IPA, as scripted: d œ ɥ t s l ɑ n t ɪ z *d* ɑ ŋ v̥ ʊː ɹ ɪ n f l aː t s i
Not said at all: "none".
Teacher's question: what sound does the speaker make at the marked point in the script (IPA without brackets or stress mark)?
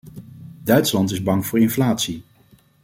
b